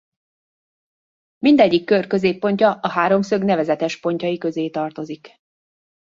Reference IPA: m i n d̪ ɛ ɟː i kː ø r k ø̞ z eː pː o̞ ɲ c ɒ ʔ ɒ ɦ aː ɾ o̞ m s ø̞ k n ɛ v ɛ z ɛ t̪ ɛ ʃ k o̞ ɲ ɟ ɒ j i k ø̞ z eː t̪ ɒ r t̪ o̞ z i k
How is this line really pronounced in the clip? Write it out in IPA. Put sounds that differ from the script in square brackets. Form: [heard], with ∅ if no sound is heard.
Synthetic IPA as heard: m i n d̪ ɛ ɟː i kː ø r k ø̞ z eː pː o̞ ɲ c ɒ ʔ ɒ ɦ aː ɾ o̞ m s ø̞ [ɡ] n ɛ v ɛ z ɛ t̪ ɛ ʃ [p] o̞ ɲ [c] ɒ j i k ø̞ z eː t̪ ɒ r t̪ o̞ z i k

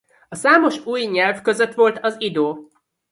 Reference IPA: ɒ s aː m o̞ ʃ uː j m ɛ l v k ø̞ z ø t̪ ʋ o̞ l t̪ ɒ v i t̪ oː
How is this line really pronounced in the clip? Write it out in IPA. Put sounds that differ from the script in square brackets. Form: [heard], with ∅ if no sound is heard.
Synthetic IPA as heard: ɒ s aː m o̞ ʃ uː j [ɲ] ɛ l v k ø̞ z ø t̪ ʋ o̞ l t̪ ɒ [z] i [d̪] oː

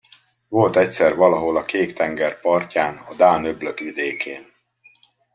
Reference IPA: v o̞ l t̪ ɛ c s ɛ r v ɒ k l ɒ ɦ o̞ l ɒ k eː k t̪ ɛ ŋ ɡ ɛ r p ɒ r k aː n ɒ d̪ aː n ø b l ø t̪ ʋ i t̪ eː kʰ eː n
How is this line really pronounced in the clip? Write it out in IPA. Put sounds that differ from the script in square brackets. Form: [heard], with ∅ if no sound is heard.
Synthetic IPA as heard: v o̞ l t̪ ɛ c s ɛ r v ɒ [∅] l ɒ ɦ o̞ l ɒ k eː k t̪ ɛ ŋ ɡ ɛ r p ɒ r [c] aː n ɒ d̪ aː n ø b l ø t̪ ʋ i [d̪] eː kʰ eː n

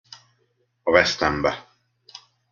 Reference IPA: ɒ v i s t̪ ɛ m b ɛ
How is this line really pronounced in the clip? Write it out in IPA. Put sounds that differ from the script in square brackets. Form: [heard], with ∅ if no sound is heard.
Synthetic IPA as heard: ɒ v [ɛ] s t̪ ɛ m b ɛ

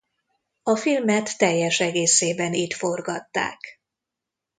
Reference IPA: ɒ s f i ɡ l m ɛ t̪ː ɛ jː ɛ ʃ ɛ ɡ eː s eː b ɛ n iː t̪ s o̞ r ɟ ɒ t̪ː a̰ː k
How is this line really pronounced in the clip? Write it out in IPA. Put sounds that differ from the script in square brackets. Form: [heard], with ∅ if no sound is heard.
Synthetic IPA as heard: ɒ [∅] f i [∅] l m ɛ t̪ː ɛ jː ɛ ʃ ɛ ɡ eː s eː b ɛ n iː t̪ [f] o̞ r [ɡ] ɒ t̪ː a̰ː k

